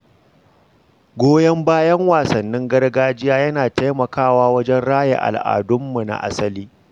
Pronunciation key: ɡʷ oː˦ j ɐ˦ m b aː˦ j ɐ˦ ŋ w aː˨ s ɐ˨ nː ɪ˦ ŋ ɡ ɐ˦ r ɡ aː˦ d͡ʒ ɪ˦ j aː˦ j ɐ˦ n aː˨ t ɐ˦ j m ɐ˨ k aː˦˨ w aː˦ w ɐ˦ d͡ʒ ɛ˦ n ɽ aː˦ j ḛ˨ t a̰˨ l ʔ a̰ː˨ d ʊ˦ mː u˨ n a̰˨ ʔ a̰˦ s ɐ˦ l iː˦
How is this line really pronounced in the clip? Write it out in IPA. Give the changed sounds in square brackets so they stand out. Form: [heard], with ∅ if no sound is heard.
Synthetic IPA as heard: ɡʷ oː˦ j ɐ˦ m b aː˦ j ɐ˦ ŋ w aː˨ s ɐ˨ nː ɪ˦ ŋ ɡ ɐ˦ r ɡ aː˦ d͡ʒ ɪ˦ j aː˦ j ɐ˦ n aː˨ t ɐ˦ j m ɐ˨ k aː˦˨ w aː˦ w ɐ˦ d͡ʒ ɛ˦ n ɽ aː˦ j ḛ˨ [ʔ] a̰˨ l ʔ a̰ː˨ d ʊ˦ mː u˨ n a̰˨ ʔ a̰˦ s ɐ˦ l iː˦